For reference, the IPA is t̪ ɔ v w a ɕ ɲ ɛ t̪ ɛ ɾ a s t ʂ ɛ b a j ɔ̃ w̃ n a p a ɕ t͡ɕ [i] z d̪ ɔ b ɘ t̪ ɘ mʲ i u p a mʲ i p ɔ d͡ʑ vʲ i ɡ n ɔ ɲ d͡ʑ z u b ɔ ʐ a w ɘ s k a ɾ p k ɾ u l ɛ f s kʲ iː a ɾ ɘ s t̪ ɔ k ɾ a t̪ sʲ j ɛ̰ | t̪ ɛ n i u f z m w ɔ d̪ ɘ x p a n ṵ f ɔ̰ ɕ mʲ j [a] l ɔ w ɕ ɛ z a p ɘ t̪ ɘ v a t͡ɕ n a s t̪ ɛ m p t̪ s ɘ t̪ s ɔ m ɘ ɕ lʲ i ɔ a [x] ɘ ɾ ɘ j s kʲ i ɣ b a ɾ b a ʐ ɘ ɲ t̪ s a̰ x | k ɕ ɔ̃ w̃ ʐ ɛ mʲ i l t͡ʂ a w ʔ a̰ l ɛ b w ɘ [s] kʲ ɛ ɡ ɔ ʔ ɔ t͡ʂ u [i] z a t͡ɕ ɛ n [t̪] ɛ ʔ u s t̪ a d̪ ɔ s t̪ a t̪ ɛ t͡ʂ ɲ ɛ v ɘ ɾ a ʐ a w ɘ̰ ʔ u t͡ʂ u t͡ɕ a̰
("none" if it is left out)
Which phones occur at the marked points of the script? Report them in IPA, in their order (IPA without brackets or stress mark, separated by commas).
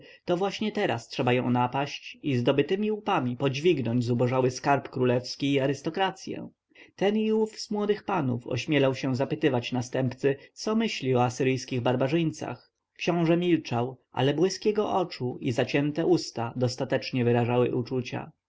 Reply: i, ɛ, s, s, i, t̪